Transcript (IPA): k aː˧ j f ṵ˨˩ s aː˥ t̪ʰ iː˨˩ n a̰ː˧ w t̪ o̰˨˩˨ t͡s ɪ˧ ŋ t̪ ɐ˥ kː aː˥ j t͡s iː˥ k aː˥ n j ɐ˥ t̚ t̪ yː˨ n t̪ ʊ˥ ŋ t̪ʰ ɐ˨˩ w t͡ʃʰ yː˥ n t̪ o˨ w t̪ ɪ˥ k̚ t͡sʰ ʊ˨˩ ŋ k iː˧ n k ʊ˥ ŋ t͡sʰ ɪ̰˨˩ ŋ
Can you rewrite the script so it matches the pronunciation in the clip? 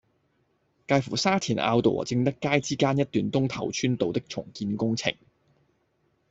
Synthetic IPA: k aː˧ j f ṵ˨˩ s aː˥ t̪ʰ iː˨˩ n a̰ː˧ w t̪ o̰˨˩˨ t͡s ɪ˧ ŋ t̪ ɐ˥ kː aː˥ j t͡s iː˥ k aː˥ n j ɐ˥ t̚ t̪ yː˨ n t̪ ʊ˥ ŋ t̪ʰ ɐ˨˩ w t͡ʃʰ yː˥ n t̪ o˨ w t̪ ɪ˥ k̚ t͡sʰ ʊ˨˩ ŋ k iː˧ n k ʊ˥ ŋ t͡sʰ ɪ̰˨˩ ŋ